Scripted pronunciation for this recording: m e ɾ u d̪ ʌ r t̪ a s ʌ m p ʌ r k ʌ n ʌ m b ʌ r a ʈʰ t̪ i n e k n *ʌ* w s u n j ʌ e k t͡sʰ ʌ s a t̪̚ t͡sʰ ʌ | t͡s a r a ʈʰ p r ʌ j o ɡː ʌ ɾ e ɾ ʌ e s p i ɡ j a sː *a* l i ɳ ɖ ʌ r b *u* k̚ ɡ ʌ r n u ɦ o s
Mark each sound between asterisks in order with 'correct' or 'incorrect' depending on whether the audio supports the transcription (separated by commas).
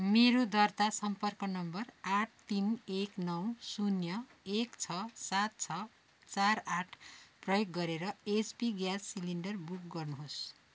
correct, incorrect, correct